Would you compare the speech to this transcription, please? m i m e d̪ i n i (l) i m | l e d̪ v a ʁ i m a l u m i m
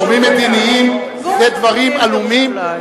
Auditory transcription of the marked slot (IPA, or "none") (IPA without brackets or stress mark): none